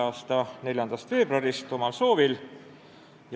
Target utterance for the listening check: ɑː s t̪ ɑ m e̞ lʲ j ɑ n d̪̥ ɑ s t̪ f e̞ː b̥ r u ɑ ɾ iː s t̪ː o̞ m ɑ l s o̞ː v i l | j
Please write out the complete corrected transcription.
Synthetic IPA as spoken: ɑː s t̪ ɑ n e̞ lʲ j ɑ n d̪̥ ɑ s t̪ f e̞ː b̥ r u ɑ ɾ i s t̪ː o̞ m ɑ l s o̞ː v i l | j

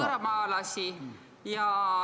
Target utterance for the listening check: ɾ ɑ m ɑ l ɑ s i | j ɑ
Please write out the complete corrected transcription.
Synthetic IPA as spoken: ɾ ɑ m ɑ l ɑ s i | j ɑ

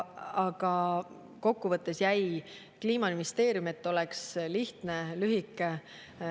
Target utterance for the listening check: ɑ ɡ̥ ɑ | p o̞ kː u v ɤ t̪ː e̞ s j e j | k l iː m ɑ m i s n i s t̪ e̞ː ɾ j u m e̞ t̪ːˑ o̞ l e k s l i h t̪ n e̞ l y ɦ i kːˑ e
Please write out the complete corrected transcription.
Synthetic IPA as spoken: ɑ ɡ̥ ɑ | k o̞ kː u v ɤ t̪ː e̞ s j æ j | k l iː m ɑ m i n i s t̪ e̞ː ɾ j u m e̞ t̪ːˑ o̞ l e k s l i h t̪ n e̞ l y ɦ i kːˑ e

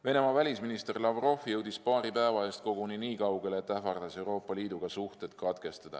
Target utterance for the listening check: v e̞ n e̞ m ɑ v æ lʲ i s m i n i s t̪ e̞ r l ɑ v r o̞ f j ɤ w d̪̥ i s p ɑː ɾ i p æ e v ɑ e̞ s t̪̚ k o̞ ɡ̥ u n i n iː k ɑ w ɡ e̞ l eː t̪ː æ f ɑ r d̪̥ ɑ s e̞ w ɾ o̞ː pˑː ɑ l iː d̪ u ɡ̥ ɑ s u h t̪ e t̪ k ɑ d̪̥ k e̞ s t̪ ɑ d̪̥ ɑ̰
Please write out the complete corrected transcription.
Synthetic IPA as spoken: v e̞ n e̞ m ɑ v æ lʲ i s m i n i s t̪ e̞ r l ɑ v r o̞ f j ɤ w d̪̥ i s p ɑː ɾ i p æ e v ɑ e̞ s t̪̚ k o̞ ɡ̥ u n i n iː k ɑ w ɡ e̞ l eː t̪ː æ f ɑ r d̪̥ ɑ s e̞ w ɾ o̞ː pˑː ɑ l iː d̪ u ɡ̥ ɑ s u h t̪ e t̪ k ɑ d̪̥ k e̞ s t̪ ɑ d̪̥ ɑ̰

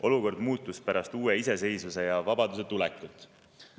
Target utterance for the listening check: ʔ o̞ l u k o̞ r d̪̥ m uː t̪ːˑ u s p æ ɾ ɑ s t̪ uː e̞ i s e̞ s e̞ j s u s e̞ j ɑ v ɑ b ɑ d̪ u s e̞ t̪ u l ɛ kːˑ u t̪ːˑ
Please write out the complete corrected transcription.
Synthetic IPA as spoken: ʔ o̞ l u k o̞ r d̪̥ m uː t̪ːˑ u s p æ ɾ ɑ s t̪ uː e̞ i s e̞ s e̞ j s u s e̞ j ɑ v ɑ b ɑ d̪ u s e̞ t̪ u l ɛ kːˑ u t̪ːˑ

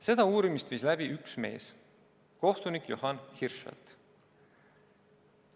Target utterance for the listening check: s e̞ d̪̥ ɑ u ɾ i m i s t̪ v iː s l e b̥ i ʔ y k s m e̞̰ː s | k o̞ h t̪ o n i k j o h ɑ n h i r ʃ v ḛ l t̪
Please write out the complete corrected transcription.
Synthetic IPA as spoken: s e̞ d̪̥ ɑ uː ɾ i m i s t̪ v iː s l æ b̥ i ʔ y k s m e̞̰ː s | k o̞ h t̪ u n i k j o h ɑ n h i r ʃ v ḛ l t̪

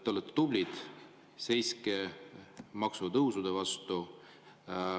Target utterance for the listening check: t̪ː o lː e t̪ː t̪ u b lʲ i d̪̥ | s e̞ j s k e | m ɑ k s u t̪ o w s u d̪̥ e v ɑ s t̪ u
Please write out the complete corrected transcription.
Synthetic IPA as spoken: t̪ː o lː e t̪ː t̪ u b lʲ i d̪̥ | s e̞ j s k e | m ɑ k s u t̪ ɤ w s u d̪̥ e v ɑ s t̪ u

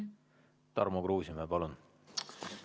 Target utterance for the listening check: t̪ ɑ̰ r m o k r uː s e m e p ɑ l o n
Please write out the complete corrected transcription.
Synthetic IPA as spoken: t̪ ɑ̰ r m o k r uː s i m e p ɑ l u n

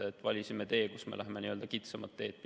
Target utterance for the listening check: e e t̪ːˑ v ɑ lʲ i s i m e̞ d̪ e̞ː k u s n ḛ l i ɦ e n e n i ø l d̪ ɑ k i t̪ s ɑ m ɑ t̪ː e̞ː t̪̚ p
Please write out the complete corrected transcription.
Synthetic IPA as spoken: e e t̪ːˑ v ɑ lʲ i s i m e̞ t̪ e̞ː k u s m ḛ l æ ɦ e m e n i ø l d̪ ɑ k i t̪ s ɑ m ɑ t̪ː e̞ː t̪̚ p

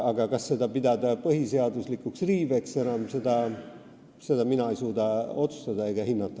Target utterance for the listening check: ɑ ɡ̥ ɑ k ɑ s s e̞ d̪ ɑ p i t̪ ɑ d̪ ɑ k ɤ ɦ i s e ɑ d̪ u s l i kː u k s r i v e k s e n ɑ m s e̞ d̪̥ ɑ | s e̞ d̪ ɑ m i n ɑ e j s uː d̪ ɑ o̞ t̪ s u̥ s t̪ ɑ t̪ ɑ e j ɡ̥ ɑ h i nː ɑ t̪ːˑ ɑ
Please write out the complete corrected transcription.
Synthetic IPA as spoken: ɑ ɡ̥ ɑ k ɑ s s e̞ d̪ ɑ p i d̪ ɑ d̪ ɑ p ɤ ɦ i s e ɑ d̪ u s l i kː u k s r iː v e k s e n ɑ m s e̞ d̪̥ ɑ | s e̞ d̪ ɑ m i n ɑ e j s uː d̪ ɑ o̞ t̪ s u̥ s t̪ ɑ d̪ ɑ e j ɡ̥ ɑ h i nː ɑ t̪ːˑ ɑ

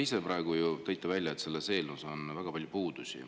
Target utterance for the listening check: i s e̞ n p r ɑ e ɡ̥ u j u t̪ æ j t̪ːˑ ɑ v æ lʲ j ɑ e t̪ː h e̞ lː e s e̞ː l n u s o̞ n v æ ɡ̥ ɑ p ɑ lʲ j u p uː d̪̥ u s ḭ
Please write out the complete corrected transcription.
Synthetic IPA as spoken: i s e̞ p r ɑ e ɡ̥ u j u t̪ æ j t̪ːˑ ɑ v æ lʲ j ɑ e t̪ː s e̞ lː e s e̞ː l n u s o̞ n v æ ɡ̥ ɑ p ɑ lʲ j u p uː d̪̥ u s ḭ

